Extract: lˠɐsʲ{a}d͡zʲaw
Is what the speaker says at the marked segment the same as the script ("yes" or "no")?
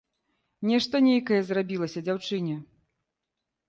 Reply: no